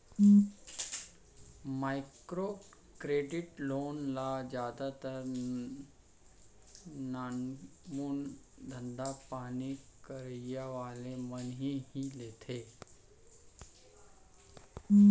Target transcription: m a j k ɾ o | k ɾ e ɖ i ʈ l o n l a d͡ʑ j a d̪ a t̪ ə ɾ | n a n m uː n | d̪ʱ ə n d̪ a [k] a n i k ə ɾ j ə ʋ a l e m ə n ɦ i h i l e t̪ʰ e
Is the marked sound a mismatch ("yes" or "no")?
yes